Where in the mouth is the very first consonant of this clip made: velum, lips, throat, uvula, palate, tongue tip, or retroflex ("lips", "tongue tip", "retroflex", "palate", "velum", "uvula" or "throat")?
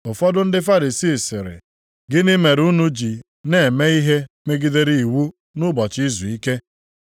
lips